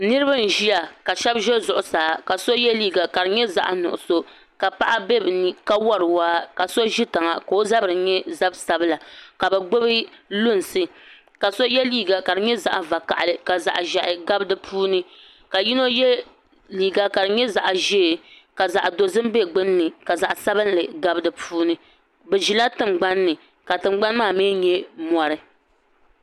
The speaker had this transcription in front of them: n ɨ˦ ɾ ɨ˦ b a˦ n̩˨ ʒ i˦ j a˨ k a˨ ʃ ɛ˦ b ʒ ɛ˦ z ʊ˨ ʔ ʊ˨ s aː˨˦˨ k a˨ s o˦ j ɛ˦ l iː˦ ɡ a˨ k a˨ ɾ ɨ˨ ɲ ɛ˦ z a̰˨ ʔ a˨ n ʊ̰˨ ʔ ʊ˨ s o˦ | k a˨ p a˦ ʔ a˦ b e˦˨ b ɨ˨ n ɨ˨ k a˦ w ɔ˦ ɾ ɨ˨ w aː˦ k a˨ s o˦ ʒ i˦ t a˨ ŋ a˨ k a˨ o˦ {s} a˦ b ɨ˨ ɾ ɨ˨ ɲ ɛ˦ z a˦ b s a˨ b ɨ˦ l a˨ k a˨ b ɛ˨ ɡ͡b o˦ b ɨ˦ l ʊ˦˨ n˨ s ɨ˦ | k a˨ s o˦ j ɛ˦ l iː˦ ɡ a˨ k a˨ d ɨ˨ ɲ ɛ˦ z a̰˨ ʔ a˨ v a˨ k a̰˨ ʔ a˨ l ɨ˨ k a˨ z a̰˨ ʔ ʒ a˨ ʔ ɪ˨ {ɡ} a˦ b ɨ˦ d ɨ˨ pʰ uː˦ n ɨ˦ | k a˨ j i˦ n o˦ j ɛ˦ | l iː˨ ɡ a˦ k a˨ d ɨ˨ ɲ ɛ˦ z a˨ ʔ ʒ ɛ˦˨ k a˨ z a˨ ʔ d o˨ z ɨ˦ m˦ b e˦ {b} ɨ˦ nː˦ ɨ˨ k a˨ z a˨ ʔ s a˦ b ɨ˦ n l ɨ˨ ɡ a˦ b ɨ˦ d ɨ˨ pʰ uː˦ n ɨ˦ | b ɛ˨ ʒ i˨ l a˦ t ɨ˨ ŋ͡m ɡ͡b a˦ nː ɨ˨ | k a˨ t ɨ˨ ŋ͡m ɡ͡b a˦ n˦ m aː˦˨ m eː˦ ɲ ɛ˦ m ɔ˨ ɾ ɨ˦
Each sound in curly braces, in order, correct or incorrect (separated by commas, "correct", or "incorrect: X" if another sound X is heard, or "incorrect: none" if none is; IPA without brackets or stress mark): incorrect: z, correct, incorrect: ɡ͡b